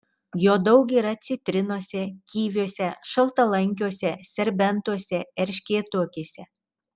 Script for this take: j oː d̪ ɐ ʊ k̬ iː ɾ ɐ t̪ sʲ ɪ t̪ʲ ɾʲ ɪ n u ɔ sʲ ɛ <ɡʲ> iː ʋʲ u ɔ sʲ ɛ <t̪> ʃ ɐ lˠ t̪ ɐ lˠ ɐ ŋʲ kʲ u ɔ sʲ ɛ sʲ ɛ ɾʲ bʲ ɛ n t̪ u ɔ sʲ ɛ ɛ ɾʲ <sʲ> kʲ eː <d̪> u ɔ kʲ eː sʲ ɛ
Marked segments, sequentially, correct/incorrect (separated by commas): incorrect, incorrect, incorrect, incorrect